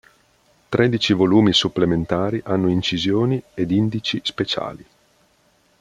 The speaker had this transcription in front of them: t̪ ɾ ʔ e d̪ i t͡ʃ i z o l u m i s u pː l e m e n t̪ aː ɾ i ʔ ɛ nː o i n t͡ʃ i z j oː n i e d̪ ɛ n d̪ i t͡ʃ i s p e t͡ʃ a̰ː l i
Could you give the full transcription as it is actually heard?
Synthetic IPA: t̪ ɾ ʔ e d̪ i t͡ʃ i v o l uː m i s u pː l e m e n t̪ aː ɾ i ʔ a nː o i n t͡ʃ i z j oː n i e d̪ i n d̪ i t͡ʃ i s p e t͡ʃ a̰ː l i